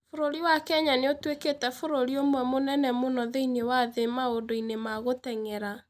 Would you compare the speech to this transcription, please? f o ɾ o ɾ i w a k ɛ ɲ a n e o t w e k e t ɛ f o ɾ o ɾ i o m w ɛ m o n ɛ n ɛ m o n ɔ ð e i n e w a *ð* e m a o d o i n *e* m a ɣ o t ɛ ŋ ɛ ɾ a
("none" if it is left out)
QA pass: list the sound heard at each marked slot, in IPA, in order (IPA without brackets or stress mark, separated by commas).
ð, e